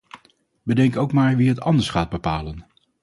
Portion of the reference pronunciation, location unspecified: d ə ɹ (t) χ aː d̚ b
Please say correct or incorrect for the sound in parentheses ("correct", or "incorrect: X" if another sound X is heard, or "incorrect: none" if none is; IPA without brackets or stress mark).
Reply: incorrect: s